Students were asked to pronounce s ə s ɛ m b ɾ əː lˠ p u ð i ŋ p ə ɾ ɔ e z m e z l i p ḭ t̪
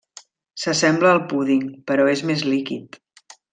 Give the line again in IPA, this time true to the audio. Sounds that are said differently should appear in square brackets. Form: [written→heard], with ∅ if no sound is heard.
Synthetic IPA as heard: s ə s ɛ m b [ɾ→l] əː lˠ p u ð i ŋ p ə ɾ ɔ e z m e z l i [p→k] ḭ t̪